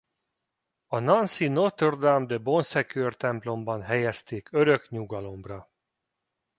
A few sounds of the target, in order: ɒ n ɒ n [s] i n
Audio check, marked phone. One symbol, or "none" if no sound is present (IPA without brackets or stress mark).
s